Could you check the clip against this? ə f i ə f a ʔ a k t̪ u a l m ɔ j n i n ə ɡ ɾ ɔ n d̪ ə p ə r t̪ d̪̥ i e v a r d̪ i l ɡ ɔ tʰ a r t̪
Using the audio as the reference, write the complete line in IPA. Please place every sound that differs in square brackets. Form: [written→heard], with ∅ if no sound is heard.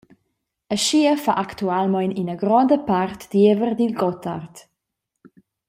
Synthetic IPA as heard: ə [f→ʃ] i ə f a ʔ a k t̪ u a l m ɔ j n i n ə ɡ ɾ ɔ n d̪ ə p [ə→a] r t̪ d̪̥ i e v [a→ə] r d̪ i l ɡ ɔ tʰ a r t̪